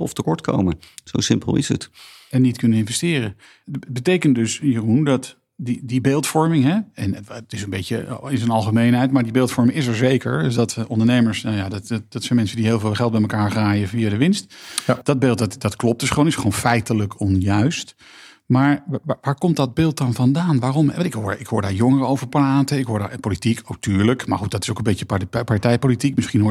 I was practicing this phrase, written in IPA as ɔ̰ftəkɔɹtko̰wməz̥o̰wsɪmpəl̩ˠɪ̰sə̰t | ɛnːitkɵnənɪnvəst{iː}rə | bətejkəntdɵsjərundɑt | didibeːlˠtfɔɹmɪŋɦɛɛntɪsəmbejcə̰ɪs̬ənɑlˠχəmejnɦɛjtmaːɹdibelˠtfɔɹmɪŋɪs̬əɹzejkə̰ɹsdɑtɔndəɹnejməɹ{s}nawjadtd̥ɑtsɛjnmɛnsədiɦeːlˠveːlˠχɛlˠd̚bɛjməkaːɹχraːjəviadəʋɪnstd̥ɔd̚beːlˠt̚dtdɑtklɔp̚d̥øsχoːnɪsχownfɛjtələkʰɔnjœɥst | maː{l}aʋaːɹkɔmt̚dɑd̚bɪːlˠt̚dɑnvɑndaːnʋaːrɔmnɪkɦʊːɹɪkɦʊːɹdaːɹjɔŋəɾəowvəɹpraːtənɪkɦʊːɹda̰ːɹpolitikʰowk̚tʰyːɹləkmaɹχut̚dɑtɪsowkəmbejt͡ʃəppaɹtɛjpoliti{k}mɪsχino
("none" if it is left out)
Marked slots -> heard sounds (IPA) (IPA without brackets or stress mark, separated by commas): ɪː, s, ɹ, k